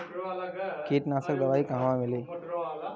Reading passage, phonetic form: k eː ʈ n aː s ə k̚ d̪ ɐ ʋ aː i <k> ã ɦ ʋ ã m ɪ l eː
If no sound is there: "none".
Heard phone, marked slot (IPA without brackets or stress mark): k